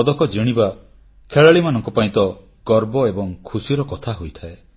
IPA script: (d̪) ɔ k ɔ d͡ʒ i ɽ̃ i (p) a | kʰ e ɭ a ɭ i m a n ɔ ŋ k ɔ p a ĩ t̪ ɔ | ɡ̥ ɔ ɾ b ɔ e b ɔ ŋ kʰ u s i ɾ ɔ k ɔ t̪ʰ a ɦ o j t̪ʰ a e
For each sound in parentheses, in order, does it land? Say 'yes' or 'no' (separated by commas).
yes, no